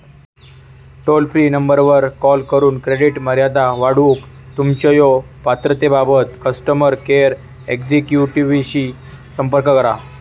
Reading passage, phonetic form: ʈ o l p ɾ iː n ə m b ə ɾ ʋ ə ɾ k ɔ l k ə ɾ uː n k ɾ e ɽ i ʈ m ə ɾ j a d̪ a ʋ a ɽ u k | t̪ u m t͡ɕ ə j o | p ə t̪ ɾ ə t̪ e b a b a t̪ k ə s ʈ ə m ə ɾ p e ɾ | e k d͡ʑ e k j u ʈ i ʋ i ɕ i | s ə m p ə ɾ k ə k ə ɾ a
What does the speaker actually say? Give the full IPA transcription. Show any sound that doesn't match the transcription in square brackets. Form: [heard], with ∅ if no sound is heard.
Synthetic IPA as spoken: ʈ o l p ɾ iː n ə m b ə ɾ ʋ ə ɾ k ɔ l k ə ɾ uː n k ɾ e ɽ i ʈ m ə ɾ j a d̪ a ʋ a ɽ u k | t̪ u m t͡ɕ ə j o | p [a] t̪ ɾ ə t̪ e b a b [ə] t̪ k ə s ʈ ə m ə ɾ [k] e ɾ | e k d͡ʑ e k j u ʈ i ʋ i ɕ i | s ə m p ə ɾ k ə k ə ɾ a